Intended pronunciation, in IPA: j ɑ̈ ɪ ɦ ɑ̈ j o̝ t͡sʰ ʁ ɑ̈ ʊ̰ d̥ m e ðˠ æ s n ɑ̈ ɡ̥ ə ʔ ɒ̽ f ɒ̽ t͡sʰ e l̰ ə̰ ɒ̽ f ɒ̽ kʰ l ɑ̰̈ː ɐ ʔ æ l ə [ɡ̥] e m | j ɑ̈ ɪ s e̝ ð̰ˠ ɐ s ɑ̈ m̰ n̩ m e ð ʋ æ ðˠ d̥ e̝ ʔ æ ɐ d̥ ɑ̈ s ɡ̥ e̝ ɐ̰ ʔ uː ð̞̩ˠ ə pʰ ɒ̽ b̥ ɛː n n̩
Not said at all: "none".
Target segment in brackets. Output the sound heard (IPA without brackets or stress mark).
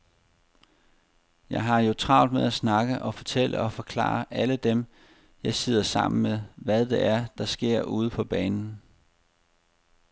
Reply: d̥